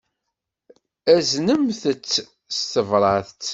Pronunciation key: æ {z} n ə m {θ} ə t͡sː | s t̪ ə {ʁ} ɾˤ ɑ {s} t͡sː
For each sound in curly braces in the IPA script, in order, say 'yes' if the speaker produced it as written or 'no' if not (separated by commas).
yes, yes, no, no